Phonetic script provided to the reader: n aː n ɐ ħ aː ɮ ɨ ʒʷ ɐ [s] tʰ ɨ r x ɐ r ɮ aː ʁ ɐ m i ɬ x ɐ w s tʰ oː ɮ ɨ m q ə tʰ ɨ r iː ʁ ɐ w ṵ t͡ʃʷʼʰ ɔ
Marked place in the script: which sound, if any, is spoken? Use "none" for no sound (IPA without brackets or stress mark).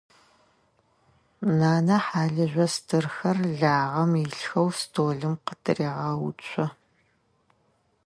s